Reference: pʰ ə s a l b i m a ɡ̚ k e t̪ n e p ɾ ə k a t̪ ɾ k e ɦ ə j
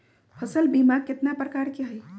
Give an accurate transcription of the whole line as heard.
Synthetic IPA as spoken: pʰ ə s ə l b i m a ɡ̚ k e t̪ n a p ɾ ə k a ɾ k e ɦ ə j